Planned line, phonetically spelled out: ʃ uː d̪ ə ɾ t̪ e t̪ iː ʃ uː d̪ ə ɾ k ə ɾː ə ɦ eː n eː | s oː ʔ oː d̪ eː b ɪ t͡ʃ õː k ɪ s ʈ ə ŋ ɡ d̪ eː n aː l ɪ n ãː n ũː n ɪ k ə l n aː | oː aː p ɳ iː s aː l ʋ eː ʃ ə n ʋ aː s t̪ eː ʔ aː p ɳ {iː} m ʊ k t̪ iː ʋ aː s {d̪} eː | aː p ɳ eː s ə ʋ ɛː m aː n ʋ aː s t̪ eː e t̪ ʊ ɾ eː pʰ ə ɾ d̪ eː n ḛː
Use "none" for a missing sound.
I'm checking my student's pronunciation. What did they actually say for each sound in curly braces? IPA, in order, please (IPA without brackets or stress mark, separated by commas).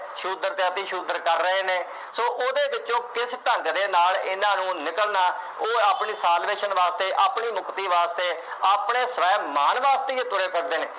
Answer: iː, t̪